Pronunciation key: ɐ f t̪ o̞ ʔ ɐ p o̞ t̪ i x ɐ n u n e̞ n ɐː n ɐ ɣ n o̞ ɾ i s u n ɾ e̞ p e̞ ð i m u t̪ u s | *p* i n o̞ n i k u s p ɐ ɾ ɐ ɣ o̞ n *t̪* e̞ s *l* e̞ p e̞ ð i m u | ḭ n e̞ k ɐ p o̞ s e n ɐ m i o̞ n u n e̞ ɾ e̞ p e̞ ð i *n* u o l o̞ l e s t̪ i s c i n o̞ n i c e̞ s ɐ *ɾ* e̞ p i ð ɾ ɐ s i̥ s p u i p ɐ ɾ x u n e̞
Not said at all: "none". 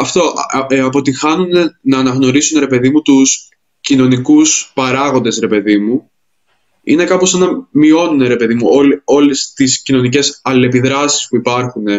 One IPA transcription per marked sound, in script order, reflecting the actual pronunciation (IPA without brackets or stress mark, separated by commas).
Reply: c, d̪, ɾ, m, l